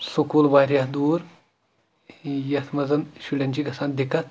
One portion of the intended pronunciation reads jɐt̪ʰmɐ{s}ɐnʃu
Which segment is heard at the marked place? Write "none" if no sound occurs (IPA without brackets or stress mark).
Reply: z